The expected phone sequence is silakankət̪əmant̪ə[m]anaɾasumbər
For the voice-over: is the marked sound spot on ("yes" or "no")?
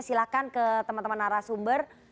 yes